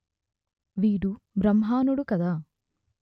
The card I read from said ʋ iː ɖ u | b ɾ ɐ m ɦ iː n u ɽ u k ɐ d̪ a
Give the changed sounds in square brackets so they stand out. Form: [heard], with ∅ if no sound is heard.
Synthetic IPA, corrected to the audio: ʋ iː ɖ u | b ɾ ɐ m ɦ [aː] n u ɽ u k ɐ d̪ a